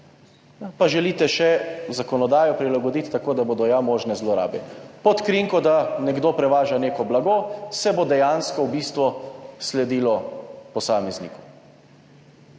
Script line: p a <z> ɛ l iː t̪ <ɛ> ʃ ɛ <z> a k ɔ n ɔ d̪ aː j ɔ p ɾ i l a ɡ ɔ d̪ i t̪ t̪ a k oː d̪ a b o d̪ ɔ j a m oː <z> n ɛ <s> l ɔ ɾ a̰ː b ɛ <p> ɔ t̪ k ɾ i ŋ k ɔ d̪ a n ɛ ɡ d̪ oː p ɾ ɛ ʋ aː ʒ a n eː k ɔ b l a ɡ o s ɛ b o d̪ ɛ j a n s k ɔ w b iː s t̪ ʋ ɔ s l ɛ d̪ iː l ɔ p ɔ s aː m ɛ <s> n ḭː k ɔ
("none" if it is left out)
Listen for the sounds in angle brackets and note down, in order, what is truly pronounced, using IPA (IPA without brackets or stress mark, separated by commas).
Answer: ʒ, ɛ, z, ʒ, z, p, z